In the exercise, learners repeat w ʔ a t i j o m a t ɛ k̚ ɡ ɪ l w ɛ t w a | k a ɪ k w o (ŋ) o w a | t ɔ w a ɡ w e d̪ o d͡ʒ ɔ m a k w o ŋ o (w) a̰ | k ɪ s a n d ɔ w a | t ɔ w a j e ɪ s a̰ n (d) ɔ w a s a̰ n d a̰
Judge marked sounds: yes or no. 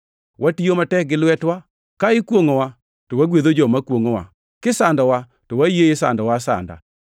yes, yes, yes

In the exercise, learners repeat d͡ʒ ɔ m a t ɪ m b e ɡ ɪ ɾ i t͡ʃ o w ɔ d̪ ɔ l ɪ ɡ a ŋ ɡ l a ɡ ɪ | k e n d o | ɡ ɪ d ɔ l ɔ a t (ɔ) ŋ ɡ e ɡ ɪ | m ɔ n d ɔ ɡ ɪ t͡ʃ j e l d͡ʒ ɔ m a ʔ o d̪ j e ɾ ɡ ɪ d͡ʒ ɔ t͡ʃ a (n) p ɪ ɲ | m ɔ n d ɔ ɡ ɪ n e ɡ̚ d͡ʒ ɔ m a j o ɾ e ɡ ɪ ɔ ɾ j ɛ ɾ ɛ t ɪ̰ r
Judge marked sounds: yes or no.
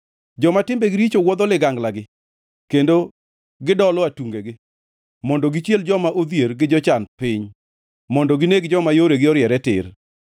no, yes

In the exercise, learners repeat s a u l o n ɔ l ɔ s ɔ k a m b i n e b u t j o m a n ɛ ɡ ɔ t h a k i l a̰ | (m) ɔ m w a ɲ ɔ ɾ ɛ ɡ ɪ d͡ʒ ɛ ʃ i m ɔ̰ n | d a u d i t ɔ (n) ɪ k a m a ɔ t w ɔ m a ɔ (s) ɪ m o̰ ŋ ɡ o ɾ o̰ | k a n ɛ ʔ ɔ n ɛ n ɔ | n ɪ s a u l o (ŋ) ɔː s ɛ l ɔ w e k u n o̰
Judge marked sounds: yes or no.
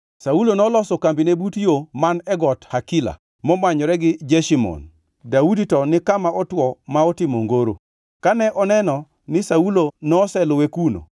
yes, yes, no, no

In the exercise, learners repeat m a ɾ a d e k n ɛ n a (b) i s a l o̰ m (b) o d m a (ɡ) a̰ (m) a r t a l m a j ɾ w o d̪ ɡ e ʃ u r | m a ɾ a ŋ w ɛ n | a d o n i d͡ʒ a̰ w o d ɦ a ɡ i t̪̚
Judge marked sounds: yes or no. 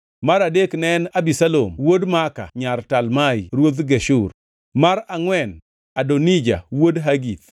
yes, no, no, no

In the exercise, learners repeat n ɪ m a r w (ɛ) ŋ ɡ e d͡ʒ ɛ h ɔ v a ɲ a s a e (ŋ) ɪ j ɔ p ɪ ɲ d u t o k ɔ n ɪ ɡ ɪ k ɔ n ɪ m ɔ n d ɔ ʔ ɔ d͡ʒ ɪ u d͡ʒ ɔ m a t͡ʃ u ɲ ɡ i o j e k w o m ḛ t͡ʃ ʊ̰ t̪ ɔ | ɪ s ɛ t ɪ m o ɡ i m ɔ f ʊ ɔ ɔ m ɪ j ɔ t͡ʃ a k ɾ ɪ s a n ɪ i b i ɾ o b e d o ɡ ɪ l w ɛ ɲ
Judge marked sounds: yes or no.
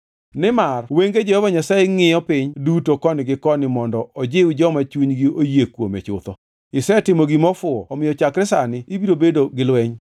no, yes

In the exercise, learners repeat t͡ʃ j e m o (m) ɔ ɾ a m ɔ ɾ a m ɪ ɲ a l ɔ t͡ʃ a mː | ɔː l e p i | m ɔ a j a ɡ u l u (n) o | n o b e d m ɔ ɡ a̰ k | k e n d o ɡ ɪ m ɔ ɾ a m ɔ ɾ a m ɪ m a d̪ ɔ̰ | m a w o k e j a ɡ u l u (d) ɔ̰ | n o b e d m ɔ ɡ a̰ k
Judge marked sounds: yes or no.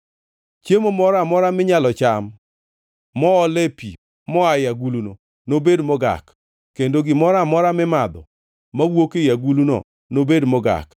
yes, yes, no

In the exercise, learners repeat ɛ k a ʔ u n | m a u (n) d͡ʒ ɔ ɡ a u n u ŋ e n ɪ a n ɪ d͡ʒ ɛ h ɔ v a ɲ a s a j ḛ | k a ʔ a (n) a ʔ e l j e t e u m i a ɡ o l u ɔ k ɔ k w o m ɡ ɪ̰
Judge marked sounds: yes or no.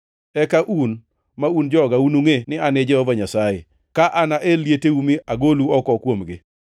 yes, yes

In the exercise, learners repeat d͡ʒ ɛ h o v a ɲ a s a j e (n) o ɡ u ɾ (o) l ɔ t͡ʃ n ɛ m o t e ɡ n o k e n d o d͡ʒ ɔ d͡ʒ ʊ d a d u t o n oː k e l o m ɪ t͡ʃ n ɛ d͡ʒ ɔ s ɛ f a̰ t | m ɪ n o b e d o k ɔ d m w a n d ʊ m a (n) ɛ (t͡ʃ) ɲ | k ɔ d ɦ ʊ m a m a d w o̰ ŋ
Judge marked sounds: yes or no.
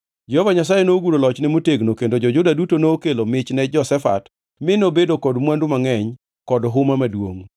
yes, yes, no, no

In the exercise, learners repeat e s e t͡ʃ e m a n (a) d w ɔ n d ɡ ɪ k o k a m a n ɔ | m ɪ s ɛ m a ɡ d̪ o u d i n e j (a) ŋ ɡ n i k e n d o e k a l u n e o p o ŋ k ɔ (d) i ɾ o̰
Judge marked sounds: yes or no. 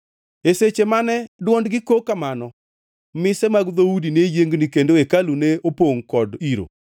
no, no, yes

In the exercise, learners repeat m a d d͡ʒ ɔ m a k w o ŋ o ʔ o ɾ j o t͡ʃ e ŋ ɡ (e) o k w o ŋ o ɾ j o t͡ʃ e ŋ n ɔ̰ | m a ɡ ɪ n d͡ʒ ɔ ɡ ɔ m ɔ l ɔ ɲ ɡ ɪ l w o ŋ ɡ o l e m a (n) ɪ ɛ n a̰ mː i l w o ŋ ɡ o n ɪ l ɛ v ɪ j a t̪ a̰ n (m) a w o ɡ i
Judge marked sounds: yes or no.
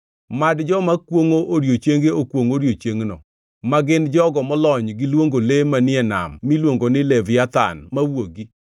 yes, yes, yes

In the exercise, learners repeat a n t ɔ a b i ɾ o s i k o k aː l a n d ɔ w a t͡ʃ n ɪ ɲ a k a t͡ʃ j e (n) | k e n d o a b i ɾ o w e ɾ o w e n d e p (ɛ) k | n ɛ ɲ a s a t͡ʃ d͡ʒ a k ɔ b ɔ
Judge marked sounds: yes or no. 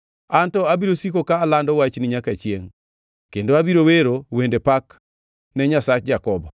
no, no

